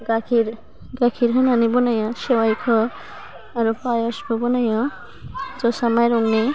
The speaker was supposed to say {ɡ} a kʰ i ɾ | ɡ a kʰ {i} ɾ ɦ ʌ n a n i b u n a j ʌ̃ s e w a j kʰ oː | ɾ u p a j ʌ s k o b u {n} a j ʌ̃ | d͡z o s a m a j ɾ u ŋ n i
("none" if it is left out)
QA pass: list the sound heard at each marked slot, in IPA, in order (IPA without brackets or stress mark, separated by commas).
ɡ, i, n